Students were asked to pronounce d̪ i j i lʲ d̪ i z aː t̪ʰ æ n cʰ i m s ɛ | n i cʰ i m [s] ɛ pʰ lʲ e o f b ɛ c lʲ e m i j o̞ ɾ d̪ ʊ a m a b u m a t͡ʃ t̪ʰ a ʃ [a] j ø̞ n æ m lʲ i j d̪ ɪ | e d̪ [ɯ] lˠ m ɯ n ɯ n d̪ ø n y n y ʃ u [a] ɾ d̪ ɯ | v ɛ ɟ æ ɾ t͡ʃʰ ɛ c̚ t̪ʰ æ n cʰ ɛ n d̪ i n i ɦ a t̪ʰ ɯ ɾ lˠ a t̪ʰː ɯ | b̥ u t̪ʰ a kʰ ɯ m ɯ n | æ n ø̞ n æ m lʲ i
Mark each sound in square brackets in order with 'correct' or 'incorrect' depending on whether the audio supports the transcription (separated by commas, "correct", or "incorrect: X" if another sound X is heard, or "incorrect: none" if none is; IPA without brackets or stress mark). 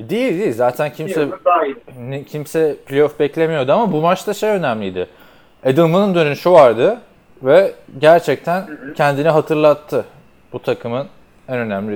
correct, incorrect: e, correct, correct